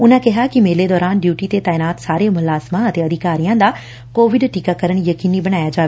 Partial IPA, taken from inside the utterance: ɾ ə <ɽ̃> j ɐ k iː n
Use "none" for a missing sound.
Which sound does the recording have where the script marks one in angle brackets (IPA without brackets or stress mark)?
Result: ɽ̃